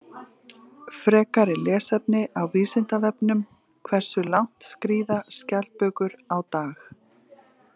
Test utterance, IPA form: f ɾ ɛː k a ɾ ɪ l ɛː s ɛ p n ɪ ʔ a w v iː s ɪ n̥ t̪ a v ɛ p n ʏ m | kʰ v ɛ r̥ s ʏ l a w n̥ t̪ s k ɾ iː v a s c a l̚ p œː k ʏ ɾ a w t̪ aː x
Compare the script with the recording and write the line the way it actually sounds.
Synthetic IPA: f ɾ ɛː k a ɾ ɪ l ɛː s ɛ p n ɪ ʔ a w v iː s ɪ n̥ t̪ a v ɛ p n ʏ m | kʰ v ɛ r̥ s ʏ l a w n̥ t̪ s k ɾ iː ð a s c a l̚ p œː k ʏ ɾ a w t̪ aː x